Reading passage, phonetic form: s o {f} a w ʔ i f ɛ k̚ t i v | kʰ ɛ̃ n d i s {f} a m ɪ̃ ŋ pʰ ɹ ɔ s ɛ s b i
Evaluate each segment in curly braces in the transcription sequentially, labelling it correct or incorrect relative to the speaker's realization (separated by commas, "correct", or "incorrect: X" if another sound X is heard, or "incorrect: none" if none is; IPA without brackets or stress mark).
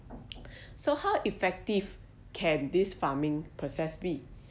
incorrect: h, correct